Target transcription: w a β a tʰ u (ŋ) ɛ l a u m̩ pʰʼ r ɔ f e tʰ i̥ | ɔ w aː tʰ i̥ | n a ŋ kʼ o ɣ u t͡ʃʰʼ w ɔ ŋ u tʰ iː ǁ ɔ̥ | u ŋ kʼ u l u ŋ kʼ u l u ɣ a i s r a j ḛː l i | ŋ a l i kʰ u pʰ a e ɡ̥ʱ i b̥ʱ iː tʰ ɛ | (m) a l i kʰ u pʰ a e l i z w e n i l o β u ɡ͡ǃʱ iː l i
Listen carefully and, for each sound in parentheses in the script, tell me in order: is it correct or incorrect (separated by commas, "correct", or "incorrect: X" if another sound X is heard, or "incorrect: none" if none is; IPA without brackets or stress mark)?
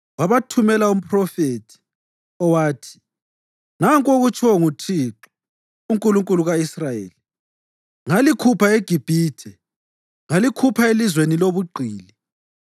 incorrect: m, incorrect: ŋ